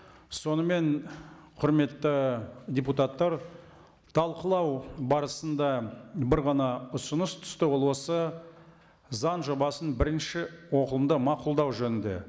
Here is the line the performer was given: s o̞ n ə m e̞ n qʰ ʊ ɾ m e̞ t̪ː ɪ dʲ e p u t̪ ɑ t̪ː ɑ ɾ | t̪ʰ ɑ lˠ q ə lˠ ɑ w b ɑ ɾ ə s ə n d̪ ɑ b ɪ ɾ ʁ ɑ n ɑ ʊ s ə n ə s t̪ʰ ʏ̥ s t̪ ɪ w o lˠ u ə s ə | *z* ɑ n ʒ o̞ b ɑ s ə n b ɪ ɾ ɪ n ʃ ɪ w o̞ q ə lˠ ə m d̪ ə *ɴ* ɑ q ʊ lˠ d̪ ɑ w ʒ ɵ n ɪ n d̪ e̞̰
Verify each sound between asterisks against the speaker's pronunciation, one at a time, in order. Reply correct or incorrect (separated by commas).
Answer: correct, incorrect